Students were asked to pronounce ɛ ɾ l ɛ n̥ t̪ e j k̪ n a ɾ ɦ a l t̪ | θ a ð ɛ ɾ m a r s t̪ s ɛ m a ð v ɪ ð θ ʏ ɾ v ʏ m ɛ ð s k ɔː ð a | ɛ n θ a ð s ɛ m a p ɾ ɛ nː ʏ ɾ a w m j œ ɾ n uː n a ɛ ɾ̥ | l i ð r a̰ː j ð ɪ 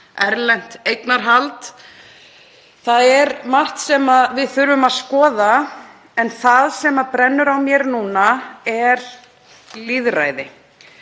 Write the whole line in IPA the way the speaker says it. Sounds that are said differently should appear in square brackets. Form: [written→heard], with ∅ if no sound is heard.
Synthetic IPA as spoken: ɛ ɾ l ɛ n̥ t̪ e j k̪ n a ɾ ɦ a l t̪ | θ a ð ɛ ɾ m a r [s→h] t̪ s ɛ m a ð v ɪ ð θ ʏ ɾ v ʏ m [ɛ→a] ð s k ɔː ð a | ɛ n θ a ð s ɛ m a p ɾ ɛ nː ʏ ɾ a w m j [œ→ɛ] ɾ n uː n a ɛ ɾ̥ | l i ð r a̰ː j ð ɪ